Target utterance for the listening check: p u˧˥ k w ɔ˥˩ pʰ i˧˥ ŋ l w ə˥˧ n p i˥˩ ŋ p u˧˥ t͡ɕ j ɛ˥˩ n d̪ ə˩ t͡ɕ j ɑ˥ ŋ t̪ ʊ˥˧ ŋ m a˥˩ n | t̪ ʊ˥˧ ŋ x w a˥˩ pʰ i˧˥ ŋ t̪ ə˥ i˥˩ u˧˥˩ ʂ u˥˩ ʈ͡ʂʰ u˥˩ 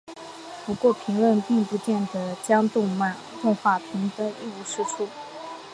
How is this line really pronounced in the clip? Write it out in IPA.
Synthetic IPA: p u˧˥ k w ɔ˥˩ pʰ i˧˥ ŋ l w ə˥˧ n p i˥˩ ŋ p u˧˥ t͡ɕ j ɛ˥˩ n d̪ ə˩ t͡ɕ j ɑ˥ ŋ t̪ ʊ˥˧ ŋ m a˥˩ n | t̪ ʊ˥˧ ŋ x w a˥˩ pʰ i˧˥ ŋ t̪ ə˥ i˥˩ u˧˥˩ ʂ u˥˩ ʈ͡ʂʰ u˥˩